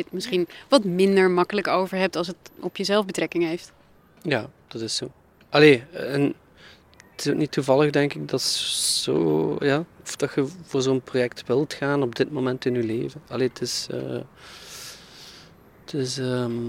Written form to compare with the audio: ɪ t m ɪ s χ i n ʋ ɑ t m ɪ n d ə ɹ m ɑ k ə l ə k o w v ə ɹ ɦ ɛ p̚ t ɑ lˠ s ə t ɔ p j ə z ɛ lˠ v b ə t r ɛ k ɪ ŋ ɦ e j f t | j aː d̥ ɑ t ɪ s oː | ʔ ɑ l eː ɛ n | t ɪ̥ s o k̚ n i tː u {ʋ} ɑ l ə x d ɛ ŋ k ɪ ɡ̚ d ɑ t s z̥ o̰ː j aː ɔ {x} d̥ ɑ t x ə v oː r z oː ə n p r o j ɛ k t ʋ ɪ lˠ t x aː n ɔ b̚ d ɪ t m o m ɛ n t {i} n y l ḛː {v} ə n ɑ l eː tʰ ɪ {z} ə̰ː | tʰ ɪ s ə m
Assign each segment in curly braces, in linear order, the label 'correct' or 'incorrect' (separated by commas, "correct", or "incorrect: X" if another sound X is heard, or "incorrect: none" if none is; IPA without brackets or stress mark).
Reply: incorrect: v, incorrect: f, incorrect: ɪ, correct, incorrect: s